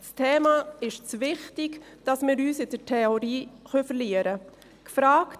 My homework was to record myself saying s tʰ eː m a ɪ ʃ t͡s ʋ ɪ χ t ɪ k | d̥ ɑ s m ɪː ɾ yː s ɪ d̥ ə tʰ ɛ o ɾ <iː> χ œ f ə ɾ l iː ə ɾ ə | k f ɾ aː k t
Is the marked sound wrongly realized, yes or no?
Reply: no